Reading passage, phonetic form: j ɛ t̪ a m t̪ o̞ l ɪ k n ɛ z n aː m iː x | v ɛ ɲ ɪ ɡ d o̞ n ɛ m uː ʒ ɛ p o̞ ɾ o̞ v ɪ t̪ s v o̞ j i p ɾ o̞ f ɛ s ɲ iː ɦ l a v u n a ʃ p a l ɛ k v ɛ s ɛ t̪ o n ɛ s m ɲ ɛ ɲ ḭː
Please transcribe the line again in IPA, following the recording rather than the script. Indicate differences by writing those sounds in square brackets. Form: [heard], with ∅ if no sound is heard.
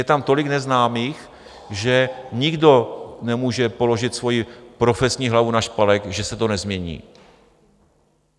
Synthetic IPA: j ɛ t̪ a m t̪ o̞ l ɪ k n ɛ z n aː m iː x | [ʒ] ɛ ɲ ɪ ɡ d o̞ n ɛ m uː ʒ ɛ p o̞ [l] o̞ [ʒ] ɪ t̪ s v o̞ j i p ɾ o̞ f ɛ s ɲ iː ɦ l a v u n a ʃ p a l ɛ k [ʒ] ɛ s ɛ t̪ o n ɛ [z] m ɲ ɛ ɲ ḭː